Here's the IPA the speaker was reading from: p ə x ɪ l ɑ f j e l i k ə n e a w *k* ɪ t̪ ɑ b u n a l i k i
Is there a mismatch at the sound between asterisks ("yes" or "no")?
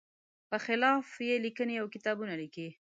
no